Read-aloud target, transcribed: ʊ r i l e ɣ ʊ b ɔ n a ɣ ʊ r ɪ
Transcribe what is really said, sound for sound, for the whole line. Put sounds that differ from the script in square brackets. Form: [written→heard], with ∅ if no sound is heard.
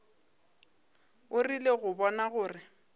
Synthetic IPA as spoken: ʊ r i l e ɣ ʊ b ɔ n a ɣ [ʊ→ʊː] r ɪ